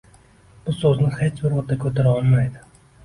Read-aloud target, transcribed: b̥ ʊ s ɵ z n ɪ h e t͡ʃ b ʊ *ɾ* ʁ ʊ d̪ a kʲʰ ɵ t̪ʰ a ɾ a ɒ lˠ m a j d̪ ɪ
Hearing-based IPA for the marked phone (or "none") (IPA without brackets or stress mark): ɾ